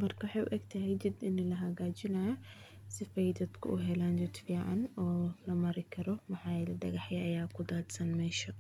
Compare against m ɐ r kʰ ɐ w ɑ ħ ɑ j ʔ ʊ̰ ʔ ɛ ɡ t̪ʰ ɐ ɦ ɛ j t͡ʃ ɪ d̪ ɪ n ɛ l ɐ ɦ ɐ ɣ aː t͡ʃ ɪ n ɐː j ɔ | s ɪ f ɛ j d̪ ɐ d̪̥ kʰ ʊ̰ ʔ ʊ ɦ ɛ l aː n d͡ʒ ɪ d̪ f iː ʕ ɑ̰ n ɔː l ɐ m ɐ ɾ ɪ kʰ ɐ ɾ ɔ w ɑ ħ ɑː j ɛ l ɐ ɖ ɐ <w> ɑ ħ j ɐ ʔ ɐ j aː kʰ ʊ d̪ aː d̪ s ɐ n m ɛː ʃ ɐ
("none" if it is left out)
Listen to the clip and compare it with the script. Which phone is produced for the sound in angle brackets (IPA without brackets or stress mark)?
ɣ